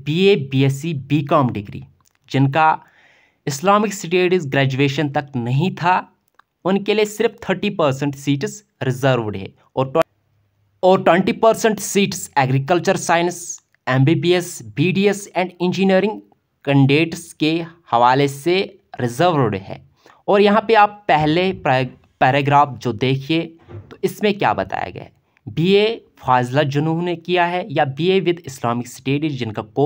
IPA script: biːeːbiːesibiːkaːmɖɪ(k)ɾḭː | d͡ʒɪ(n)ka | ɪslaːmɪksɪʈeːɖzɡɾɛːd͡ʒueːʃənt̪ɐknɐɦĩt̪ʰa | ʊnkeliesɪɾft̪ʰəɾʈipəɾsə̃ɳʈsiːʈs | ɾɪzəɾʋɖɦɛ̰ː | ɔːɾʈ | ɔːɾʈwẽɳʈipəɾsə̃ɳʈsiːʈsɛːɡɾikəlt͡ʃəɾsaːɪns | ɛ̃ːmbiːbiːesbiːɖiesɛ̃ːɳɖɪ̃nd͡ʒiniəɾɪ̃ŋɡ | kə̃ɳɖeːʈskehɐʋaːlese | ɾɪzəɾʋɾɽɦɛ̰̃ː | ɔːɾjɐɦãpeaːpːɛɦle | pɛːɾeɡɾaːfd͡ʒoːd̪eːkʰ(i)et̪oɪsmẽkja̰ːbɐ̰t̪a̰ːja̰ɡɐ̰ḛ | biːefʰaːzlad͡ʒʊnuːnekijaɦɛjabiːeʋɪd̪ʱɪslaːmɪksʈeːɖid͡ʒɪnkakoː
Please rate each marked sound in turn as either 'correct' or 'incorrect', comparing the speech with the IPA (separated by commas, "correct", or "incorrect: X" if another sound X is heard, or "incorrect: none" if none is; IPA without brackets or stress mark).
incorrect: ɡ, correct, correct